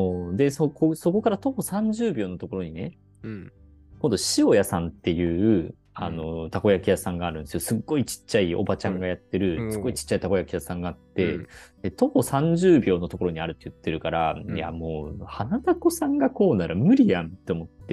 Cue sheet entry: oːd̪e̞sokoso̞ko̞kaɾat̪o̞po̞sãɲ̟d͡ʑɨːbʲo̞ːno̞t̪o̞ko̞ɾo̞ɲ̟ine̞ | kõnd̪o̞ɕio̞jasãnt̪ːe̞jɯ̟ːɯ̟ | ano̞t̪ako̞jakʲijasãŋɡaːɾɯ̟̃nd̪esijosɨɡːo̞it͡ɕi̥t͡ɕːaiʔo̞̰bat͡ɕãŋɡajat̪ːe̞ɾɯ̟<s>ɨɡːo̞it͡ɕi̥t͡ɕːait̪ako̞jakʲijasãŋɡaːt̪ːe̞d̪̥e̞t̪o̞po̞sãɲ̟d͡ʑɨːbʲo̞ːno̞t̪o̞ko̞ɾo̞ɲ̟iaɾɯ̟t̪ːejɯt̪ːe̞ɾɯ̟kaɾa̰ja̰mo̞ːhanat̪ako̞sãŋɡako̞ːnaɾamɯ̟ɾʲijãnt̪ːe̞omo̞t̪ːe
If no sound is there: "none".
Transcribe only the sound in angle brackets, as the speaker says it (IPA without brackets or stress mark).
s